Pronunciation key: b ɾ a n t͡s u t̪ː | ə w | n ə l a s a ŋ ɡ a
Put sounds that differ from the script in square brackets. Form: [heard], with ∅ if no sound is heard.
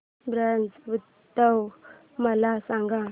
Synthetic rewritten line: b ɾ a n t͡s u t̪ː | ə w | [m] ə l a s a ŋ ɡ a